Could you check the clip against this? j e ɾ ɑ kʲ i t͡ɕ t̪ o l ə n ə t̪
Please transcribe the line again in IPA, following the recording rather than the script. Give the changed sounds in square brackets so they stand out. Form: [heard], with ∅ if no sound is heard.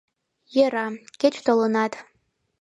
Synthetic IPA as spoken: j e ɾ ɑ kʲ [e] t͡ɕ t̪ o l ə n [ɑ] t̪